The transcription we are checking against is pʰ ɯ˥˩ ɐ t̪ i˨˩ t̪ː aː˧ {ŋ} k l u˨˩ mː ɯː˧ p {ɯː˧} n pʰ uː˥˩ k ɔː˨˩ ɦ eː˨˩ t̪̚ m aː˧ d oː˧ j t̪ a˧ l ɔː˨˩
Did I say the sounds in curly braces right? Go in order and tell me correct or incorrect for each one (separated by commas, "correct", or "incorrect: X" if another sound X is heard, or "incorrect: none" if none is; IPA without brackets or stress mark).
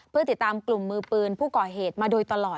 incorrect: m, correct